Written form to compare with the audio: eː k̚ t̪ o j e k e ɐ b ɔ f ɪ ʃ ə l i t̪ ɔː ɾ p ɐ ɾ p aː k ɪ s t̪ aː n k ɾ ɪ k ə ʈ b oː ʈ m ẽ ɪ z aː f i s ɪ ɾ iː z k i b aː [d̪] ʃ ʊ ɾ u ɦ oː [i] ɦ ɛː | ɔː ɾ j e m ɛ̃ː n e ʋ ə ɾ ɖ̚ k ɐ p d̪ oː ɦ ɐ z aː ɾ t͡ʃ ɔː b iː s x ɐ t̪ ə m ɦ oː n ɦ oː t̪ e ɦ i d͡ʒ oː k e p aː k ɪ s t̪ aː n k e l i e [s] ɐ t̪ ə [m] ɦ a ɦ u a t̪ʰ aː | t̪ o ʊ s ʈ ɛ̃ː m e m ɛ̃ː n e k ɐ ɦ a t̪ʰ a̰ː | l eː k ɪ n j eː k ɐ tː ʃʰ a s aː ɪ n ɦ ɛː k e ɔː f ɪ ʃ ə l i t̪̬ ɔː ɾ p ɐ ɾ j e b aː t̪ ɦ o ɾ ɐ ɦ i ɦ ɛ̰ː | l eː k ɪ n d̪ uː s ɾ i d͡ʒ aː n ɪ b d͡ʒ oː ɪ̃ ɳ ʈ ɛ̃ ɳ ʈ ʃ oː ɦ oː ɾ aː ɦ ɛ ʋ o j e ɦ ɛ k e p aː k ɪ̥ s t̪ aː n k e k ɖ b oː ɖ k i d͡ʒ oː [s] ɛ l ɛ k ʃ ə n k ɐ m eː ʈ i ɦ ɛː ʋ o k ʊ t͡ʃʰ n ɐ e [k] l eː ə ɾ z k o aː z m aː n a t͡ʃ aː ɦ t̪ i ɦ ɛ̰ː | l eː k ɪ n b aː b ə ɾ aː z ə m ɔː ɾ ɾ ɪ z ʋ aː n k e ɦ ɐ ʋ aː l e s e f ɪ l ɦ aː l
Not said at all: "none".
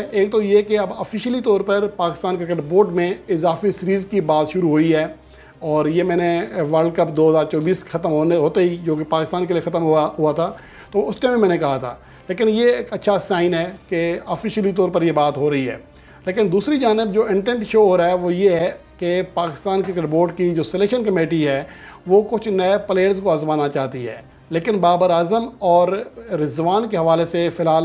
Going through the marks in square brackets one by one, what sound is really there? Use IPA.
t̪, i, x, m, s, p

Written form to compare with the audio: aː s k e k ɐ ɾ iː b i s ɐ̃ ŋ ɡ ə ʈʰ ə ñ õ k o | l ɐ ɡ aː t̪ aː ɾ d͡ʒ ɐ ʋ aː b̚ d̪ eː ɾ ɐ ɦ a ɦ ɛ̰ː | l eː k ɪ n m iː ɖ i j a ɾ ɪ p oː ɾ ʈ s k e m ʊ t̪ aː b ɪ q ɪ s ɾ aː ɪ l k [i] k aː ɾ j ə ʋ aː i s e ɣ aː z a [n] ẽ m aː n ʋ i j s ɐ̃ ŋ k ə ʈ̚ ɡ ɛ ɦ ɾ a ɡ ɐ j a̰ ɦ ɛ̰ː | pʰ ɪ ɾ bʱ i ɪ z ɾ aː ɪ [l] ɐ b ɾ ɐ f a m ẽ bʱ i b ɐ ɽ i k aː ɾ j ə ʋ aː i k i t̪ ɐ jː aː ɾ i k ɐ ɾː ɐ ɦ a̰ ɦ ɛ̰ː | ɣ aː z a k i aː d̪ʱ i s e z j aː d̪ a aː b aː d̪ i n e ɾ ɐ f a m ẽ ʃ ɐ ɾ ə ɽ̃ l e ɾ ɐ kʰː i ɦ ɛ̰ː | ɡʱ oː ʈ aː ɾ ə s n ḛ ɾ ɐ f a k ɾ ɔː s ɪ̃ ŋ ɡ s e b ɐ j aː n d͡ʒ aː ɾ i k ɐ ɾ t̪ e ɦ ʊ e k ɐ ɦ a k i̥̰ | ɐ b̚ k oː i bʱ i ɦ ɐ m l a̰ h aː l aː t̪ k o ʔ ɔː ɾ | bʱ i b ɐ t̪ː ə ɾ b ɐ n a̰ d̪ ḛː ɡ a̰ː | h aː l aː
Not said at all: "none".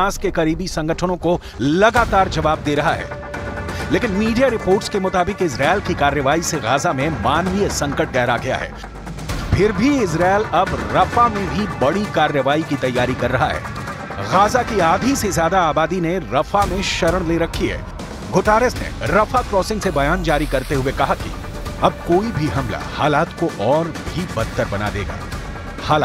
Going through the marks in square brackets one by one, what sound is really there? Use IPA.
i, m, l

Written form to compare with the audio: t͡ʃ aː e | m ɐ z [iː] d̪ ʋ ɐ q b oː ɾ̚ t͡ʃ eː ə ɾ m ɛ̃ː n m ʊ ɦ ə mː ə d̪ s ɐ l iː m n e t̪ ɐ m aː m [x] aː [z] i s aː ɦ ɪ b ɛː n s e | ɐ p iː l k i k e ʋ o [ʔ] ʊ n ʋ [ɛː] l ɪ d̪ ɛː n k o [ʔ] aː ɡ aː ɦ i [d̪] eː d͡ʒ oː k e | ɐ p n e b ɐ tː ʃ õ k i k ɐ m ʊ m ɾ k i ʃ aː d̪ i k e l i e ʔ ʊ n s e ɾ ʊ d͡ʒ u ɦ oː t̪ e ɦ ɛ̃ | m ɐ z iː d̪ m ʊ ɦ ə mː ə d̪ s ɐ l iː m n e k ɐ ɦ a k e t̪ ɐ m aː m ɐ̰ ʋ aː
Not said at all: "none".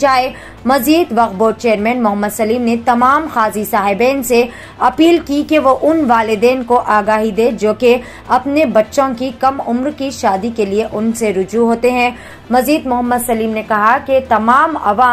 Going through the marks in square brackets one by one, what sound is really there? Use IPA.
iː, x, z, ʔ, aː, ʔ, d̪

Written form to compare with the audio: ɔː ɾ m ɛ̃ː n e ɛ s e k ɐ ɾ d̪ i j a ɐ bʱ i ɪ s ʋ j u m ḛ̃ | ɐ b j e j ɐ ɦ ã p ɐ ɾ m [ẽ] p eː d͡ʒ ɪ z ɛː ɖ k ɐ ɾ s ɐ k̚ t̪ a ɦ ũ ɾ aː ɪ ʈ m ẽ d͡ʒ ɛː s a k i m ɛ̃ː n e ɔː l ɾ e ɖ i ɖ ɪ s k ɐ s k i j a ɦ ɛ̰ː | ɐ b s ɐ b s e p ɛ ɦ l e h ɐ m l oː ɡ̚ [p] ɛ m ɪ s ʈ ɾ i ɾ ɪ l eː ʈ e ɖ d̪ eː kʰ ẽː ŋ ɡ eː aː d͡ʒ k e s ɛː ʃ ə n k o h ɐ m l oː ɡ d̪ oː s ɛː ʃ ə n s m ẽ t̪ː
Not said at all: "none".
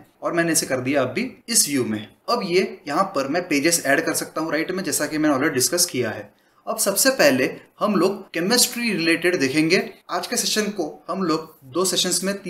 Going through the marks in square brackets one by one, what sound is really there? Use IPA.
ɛ̃, k

